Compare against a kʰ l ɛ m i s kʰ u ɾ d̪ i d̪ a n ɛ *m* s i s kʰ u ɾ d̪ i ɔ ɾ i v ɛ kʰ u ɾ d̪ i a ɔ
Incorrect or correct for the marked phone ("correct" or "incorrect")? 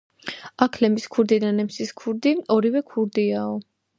correct